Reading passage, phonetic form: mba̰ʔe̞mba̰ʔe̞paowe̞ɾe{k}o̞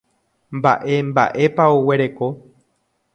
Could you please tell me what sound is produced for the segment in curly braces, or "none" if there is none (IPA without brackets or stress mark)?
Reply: k